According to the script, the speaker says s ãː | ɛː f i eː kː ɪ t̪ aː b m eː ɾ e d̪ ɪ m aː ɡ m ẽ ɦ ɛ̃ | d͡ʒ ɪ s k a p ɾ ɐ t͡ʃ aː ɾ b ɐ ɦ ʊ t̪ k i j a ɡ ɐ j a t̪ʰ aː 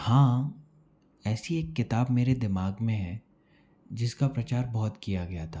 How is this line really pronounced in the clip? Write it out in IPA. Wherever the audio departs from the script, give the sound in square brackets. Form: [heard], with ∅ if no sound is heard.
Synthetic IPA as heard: [h] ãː | ɛː [s] i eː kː ɪ t̪ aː b m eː ɾ e d̪ ɪ m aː ɡ m ẽ ɦ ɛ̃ | d͡ʒ ɪ s k a p ɾ ɐ t͡ʃ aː ɾ b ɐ ɦ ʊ t̪ k i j a ɡ ɐ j a t̪ʰ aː